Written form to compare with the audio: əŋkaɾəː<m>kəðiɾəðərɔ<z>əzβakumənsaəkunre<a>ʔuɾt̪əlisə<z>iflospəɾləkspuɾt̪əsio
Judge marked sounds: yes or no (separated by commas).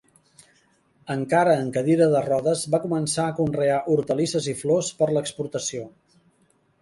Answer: no, no, yes, yes